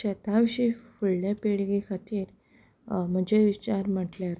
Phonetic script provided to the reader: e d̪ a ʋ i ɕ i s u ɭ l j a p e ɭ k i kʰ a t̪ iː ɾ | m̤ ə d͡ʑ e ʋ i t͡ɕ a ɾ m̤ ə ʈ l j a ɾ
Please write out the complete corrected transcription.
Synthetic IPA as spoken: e t̪ a ʋ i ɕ i f u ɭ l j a p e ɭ ɡ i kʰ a t̪ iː ɾ | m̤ ə d͡ʑ e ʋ i t͡ɕ a ɾ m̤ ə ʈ l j a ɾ